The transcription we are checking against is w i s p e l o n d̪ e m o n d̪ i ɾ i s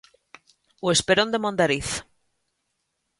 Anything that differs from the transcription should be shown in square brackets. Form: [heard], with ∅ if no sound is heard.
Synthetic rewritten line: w [e] s p e [ɾ] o n d̪ e m o n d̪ [a] ɾ i [θ]